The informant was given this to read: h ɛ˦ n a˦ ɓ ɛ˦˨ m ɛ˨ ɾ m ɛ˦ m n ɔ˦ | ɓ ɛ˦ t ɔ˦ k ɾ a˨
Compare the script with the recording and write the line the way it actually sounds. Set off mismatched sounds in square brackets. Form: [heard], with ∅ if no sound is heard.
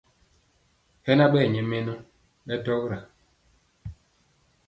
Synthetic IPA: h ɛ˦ n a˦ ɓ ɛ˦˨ [ɲ] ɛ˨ [∅] m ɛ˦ [∅] n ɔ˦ | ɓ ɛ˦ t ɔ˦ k ɾ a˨